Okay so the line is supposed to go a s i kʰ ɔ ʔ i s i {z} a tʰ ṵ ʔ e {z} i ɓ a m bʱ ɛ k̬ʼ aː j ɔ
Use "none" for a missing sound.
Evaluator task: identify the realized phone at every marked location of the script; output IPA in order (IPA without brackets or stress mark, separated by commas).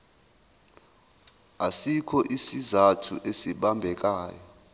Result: z, s